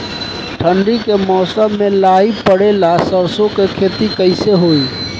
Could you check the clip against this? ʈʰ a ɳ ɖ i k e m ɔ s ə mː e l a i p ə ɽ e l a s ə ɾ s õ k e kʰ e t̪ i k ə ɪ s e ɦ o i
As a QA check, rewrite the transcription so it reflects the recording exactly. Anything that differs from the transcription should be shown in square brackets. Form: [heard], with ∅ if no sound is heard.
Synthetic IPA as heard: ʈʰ [ə] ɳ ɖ i k e m ɔ s ə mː e l a i p ə ɽ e l a s ə ɾ s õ k e kʰ e t̪ i k ə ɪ s e ɦ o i